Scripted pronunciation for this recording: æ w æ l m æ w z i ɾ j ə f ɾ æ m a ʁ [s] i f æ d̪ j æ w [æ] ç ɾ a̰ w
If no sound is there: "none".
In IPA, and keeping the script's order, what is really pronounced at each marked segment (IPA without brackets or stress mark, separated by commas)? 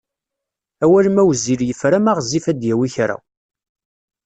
z, i